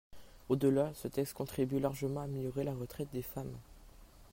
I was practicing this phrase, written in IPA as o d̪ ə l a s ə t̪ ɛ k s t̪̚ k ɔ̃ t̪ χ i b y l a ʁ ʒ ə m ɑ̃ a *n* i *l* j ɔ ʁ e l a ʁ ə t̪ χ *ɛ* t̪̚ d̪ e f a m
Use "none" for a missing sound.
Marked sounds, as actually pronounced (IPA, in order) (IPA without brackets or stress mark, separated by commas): m, l, ɛ